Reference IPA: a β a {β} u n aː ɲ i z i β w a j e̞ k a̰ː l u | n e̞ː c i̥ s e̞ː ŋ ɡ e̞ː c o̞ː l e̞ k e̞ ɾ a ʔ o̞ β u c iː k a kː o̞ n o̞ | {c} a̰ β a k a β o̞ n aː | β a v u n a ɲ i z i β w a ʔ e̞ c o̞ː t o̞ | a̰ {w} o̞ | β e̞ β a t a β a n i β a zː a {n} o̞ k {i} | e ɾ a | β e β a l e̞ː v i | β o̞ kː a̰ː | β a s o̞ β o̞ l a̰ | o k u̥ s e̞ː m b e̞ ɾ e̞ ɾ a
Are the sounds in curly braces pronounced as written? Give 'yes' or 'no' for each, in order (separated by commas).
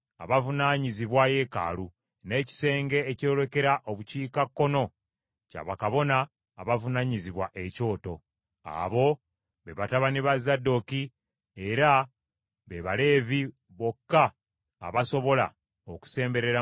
no, yes, no, no, yes